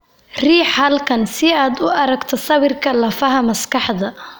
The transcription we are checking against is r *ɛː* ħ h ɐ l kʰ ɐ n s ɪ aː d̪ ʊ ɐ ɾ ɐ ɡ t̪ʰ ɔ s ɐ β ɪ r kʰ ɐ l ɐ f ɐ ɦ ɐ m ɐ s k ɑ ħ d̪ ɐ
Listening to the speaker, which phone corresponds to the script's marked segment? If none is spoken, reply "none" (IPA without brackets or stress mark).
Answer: iː